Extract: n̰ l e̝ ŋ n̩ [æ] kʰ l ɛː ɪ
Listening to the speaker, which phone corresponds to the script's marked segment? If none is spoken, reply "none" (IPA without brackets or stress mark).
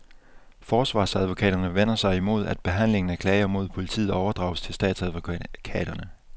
æ